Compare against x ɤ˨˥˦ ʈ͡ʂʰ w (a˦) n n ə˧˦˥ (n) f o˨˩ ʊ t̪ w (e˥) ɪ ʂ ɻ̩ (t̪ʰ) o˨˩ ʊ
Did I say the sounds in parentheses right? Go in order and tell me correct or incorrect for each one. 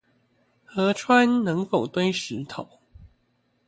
correct, incorrect, correct, correct

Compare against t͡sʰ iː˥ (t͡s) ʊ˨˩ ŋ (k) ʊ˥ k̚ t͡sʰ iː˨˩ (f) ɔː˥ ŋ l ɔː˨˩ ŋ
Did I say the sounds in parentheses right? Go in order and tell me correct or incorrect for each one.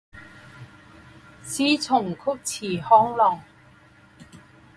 incorrect, incorrect, incorrect

